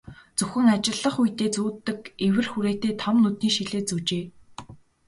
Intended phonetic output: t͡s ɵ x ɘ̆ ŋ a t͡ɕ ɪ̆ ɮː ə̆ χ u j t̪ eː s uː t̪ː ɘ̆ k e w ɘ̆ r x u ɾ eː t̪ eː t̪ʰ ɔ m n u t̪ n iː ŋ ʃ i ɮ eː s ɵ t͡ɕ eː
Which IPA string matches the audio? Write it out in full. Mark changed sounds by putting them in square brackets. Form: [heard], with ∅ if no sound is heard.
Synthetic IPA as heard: t͡s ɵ x ɘ̆ ŋ a t͡ɕ ɪ̆ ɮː ə̆ χ u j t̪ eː [t͡s] uː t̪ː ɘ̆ k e w ɘ̆ r x u ɾ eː t̪ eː t̪ʰ ɔ m n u t̪ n iː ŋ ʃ i ɮ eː [t͡s] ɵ t͡ɕ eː